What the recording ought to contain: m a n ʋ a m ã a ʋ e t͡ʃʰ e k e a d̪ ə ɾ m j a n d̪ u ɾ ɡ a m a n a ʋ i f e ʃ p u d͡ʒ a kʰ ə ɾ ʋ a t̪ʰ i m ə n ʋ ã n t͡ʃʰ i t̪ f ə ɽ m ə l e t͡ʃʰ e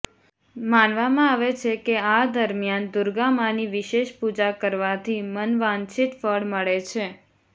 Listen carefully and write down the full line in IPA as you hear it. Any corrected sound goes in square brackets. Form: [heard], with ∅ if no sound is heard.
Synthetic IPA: m a n ʋ a m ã a ʋ e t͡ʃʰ e k e a d̪ ə ɾ m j a n d̪ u ɾ ɡ a m a n [i] ʋ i [ʃ] e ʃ p u d͡ʒ a [k] ə ɾ ʋ a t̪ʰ i m ə n ʋ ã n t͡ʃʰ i t̪ f ə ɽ m ə [ɭ] e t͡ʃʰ e

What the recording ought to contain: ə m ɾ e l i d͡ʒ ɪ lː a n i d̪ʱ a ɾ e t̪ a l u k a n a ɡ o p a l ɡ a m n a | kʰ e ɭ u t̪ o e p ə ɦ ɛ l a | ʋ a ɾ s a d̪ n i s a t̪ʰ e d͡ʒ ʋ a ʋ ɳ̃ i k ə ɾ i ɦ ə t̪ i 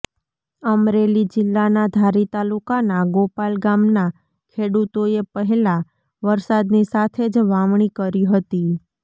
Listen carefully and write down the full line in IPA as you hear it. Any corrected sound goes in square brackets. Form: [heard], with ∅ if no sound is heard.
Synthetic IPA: ə m ɾ e l i d͡ʒ ɪ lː a n [a] d̪ʱ a ɾ [i] t̪ a l u k a n a ɡ o p a l ɡ a m n a | kʰ e [ɽ] u t̪ o e p ə ɦ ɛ l a | ʋ [ə] ɾ s a d̪ n i s a t̪ʰ e d͡ʒ ʋ a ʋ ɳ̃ i k ə ɾ i ɦ ə t̪ i

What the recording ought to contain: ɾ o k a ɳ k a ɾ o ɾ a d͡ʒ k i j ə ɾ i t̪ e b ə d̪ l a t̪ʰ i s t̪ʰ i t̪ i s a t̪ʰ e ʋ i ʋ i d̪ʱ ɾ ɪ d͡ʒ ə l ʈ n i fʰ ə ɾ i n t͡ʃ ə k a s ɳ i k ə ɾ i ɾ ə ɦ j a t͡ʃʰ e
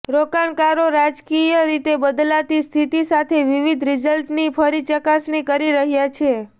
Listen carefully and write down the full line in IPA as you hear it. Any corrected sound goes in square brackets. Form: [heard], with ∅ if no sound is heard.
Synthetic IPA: ɾ o k a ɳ k a ɾ o ɾ a d͡ʒ k i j ə ɾ i t̪ e b ə d̪ l a [t̪] i s t̪ʰ i t̪ i s a t̪ʰ e ʋ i ʋ i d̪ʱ ɾ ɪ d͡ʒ ə l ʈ n i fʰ ə ɾ i [∅] t͡ʃ ə k a s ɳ i k ə ɾ i ɾ ə ɦ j a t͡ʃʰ e

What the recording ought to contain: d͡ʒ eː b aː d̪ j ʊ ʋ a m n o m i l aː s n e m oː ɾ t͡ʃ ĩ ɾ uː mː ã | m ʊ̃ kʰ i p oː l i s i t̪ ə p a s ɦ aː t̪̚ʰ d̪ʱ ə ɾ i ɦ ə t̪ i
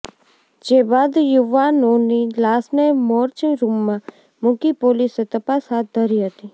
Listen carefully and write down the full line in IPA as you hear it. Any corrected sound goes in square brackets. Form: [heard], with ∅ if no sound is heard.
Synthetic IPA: d͡ʒ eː b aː d̪ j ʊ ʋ a [∅] n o [n] i l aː s n e m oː ɾ t͡ʃ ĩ ɾ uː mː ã | m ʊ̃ [k] i p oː l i s [e] t̪ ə p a s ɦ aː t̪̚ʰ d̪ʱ ə ɾ i ɦ ə t̪ i

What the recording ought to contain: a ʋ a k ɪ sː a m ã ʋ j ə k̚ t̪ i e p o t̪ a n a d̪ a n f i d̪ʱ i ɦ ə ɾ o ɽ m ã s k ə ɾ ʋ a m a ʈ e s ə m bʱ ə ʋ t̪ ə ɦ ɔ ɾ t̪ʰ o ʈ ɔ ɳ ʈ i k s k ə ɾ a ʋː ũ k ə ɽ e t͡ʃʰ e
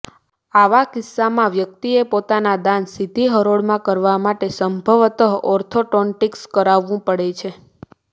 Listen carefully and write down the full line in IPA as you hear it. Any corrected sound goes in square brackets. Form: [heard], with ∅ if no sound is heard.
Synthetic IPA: a ʋ a k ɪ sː a m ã ʋ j ə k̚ t̪ i e p o t̪ a n a d̪ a n [s] i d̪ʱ i ɦ ə ɾ o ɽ m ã [∅] k ə ɾ ʋ a m a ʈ e s ə m bʱ ə ʋ t̪ ə ɦ ɔ ɾ t̪ʰ o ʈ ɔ ɳ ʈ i k s k ə ɾ a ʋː ũ [p] ə ɽ e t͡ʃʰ e

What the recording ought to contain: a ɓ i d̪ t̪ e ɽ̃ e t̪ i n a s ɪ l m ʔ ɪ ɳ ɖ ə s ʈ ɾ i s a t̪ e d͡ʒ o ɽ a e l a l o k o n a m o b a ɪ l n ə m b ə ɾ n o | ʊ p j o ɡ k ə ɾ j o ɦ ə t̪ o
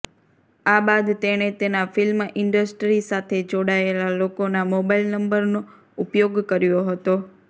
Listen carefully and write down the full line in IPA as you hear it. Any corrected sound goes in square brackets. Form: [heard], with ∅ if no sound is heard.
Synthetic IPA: a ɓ [a] d̪ t̪ e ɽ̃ e t̪ [e] n a [f] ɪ l m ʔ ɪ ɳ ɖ ə s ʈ ɾ i s a [t̪ʰ] e d͡ʒ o ɽ a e l a l o k o n a m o b a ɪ l n ə m b ə ɾ n o | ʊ p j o ɡ k ə ɾ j o ɦ ə t̪ o

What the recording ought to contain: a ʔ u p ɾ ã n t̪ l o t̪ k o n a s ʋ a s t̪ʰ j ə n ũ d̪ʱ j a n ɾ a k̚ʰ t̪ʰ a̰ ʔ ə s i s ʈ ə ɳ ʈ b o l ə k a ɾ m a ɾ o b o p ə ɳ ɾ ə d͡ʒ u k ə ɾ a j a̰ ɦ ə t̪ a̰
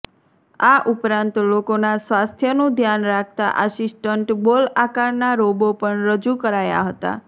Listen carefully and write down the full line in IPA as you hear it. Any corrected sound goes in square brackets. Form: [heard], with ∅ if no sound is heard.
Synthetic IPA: a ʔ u p ɾ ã n t̪ l o [∅] k o n a s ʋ a s t̪ʰ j ə n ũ d̪ʱ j a n ɾ a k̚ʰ [t̪] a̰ ʔ ə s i s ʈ ə ɳ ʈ b o l [a] k a ɾ [n] a ɾ o b o p ə ɳ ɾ ə d͡ʒ u k ə ɾ a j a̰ ɦ ə t̪ a̰

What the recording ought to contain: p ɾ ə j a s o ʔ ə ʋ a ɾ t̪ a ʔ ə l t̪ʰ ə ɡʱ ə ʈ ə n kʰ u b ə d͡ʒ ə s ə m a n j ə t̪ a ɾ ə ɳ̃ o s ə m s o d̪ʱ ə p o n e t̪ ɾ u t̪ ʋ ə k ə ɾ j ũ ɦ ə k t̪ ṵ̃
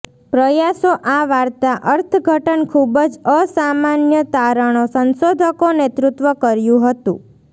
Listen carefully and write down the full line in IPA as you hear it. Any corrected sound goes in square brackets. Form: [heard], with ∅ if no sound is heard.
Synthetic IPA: p ɾ ə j a s o ʔ [a] ʋ a ɾ t̪ a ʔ ə [ɾ] t̪ʰ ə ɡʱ ə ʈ ə n kʰ u b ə d͡ʒ ə s [a] m a n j ə t̪ a ɾ ə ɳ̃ o s ə [n] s o d̪ʱ ə [k] o n e t̪ ɾ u t̪ ʋ ə k ə ɾ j ũ ɦ ə [∅] t̪ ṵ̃

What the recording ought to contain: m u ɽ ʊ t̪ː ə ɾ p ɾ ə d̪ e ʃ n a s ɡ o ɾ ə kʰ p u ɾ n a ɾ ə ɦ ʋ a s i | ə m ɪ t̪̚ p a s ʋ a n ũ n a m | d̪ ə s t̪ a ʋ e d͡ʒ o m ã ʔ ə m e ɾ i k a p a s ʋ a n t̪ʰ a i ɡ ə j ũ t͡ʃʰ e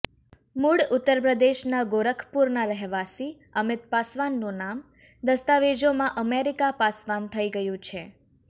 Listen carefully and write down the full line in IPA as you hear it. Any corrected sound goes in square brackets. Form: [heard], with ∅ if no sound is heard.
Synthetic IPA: m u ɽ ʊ t̪ː ə ɾ p ɾ ə d̪ e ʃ n a [∅] ɡ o ɾ ə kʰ p u ɾ n a ɾ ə ɦ ʋ a s i | ə m ɪ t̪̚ p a s ʋ a [nː] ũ n a m | d̪ ə s t̪ a ʋ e d͡ʒ o m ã ʔ ə m e ɾ i k a p a s ʋ a n t̪ʰ [ə] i ɡ ə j ũ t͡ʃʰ e

